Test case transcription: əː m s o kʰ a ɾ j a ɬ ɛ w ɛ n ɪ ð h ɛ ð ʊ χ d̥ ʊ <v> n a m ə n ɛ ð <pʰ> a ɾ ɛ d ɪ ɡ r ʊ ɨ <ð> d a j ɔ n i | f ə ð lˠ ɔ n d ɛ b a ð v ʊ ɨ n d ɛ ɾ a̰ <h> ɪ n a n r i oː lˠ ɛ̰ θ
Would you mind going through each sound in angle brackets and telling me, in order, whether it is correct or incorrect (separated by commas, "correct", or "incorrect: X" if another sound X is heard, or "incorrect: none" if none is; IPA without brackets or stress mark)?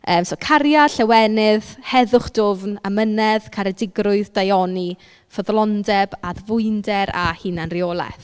correct, incorrect: kʰ, correct, correct